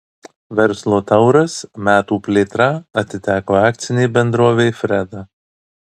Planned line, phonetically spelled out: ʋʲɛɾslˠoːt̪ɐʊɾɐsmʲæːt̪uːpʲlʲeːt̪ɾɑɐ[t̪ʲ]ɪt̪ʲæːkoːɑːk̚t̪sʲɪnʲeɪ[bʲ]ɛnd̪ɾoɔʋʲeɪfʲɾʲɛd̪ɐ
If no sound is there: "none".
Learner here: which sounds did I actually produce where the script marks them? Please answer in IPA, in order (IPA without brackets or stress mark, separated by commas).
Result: t̪ʲ, bʲ